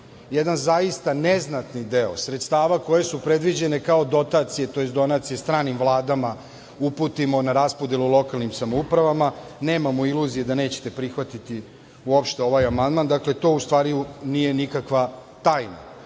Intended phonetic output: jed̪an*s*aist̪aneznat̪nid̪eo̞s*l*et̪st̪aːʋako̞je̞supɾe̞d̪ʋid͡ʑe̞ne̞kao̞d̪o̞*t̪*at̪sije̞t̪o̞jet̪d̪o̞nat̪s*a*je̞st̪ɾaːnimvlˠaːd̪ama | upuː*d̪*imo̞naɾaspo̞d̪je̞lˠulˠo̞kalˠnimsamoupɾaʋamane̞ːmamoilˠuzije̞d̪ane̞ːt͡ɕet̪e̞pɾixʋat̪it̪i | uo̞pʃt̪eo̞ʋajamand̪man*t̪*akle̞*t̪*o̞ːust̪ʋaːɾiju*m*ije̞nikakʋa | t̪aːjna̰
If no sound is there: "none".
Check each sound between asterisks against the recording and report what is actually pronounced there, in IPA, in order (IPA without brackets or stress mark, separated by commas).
z, ɾ, t̪, i, t̪, d̪, t̪, n